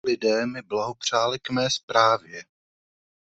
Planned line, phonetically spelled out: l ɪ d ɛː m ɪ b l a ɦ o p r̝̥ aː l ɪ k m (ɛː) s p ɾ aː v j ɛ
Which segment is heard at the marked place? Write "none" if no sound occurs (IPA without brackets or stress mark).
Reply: ɛː